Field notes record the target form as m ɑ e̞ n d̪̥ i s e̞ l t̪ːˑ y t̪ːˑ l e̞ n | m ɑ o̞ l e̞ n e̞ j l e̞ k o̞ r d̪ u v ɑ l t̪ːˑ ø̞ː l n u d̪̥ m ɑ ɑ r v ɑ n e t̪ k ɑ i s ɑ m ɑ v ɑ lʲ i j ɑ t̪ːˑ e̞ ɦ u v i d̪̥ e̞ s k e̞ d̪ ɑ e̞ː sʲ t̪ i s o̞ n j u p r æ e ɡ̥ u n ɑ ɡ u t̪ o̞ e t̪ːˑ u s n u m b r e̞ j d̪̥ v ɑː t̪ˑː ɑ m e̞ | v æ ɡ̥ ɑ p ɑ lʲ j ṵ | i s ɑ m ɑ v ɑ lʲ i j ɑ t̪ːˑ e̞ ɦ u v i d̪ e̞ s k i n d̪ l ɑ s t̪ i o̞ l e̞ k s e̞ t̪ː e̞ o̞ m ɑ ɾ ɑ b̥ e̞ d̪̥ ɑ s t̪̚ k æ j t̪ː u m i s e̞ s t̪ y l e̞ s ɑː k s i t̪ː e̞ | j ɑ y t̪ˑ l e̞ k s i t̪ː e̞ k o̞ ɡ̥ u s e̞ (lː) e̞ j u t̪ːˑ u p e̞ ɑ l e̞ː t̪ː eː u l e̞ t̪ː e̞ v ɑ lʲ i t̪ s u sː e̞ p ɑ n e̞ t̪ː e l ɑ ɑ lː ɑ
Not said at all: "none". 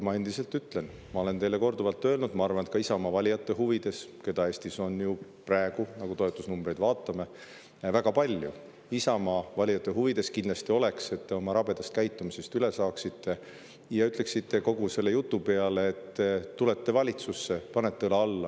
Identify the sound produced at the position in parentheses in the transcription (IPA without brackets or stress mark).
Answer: lː